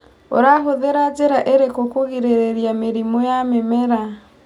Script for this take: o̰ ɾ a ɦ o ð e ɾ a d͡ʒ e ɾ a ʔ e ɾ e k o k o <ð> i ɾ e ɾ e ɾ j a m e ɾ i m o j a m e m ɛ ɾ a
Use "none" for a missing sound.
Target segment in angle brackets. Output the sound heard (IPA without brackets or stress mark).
ɣ